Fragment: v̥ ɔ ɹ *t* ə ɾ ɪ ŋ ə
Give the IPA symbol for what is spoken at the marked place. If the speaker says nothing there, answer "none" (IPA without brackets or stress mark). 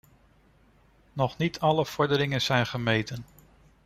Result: d